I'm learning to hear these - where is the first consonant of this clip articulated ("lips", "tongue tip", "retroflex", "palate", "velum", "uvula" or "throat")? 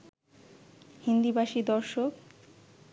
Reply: throat